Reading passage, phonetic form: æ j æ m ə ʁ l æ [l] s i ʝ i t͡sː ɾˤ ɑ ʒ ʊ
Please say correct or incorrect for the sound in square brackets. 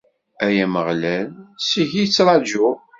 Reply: correct